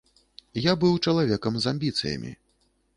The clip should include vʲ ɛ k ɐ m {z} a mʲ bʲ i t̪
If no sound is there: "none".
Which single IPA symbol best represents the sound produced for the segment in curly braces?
z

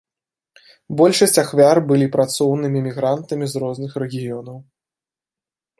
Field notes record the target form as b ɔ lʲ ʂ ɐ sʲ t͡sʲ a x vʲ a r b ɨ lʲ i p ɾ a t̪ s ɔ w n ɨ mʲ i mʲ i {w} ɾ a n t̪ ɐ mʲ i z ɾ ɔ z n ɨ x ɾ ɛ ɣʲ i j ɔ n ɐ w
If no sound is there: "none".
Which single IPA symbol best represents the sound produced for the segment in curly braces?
ɣ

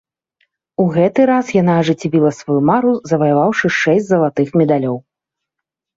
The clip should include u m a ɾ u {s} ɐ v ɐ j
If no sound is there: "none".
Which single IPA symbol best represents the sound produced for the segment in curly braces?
z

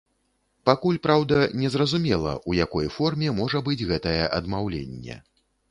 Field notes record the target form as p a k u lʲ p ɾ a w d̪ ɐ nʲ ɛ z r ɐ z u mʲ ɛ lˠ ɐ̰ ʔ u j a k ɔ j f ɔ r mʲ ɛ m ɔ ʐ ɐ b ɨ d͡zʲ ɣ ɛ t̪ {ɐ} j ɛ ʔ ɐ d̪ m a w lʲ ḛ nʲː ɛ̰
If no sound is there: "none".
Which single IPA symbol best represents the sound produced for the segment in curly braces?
ɐ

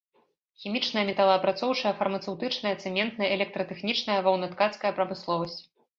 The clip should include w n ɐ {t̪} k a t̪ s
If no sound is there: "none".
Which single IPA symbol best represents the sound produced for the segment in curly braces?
t̪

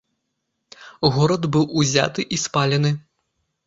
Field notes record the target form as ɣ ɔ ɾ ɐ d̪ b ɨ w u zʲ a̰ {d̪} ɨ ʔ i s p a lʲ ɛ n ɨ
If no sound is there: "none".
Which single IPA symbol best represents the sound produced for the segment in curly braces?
t̪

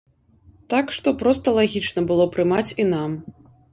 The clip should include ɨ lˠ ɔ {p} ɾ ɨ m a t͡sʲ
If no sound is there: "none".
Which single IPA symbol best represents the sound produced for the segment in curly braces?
p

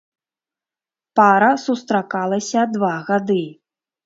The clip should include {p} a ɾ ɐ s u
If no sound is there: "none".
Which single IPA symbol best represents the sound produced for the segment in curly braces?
p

